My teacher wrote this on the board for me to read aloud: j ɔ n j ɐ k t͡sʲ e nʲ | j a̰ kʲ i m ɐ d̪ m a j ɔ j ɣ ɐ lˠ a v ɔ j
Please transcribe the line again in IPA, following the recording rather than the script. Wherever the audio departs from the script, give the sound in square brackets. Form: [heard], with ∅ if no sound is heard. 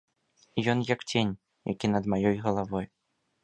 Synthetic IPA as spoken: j ɔ n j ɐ k t͡sʲ e nʲ | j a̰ kʲ i [n] ɐ d̪ m a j ɔ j ɣ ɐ lˠ a v ɔ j